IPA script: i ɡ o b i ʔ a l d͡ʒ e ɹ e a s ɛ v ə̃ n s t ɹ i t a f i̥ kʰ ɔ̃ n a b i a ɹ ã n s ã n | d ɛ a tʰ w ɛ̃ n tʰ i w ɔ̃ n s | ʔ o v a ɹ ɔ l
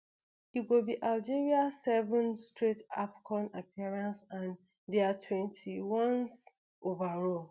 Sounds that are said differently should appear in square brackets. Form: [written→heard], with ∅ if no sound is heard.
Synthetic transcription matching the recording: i ɡ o b i ʔ a l d͡ʒ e ɹ [e→i] a s ɛ v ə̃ n s t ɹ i t a f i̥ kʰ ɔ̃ n a [b→p] i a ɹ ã n s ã n | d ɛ a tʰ w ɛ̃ n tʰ i w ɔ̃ n s | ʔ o v a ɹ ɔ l